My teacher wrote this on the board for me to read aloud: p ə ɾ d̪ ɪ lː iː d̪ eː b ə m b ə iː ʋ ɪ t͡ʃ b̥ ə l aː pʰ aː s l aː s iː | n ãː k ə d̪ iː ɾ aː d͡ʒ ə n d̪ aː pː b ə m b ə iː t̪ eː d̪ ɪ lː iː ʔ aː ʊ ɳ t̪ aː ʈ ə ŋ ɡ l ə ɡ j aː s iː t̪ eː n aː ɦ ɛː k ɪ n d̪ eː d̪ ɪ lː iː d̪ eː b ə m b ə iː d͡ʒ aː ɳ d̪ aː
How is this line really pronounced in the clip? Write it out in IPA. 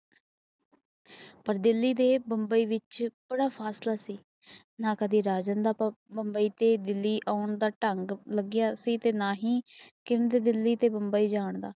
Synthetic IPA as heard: p ə ɾ d̪ ɪ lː iː d̪ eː b ə m b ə iː ʋ ɪ t͡ʃ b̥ ə ɽ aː pʰ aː s l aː s iː | n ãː k ə d̪ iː ɾ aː d͡ʒ ə n d̪ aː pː b ə m b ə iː t̪ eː d̪ ɪ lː iː ʔ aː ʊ ɳ d̪ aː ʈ ə ŋ ɡ l ə ɡ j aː s iː t̪ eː n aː ɦ iː k ɪ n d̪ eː d̪ ɪ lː iː t̪ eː b ə m b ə iː d͡ʒ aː ɳ d̪ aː